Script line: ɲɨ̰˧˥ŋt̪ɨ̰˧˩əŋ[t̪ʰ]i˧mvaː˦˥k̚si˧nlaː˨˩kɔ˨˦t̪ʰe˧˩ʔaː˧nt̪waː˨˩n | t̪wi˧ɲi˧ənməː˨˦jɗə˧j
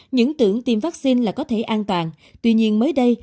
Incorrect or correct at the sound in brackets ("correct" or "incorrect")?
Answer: incorrect